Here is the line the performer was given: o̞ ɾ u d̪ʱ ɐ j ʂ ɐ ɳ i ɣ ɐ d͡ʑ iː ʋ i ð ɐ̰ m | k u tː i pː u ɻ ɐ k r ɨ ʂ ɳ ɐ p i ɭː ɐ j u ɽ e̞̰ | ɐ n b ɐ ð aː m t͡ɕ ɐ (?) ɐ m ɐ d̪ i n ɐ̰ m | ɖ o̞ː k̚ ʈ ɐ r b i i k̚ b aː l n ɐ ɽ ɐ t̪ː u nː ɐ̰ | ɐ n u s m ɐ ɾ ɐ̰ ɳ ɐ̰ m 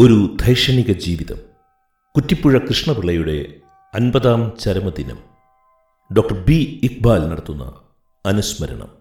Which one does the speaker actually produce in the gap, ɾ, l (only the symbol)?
ɾ